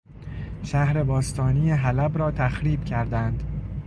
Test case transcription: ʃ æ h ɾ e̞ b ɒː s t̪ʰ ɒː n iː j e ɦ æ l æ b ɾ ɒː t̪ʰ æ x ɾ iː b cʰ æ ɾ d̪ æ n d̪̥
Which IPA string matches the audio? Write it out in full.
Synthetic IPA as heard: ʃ æ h ɾ e̞ b ɒː s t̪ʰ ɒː n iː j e ɦ æ l æ b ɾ ɒː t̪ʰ æ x ɾ iː b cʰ æ ɾ d̪ æ n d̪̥